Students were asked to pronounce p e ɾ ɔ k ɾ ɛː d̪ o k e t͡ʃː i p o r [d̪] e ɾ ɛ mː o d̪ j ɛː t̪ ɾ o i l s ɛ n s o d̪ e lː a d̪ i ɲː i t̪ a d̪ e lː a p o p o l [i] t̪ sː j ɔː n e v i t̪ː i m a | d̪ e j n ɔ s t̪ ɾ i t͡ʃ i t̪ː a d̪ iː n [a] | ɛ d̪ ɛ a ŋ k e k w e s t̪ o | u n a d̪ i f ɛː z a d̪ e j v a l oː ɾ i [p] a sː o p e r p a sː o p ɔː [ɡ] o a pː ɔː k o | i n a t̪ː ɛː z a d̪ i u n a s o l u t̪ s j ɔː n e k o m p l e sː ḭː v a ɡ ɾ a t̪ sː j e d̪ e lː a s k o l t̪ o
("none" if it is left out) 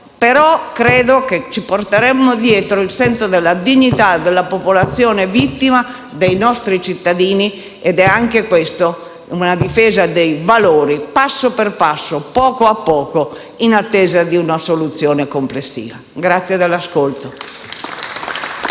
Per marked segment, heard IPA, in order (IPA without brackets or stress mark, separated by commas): t̪, a, i, p, k